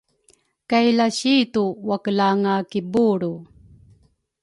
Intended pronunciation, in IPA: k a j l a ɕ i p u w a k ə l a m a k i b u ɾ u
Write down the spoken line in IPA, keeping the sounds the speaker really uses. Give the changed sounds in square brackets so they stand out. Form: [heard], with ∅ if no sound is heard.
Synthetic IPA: k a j l a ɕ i [t] u w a k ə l a [ŋ] a k i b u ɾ u